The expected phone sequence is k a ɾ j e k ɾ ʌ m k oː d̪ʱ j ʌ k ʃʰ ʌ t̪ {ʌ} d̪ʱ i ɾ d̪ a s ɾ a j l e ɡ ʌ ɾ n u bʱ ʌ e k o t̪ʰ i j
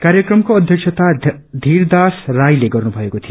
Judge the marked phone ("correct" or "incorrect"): incorrect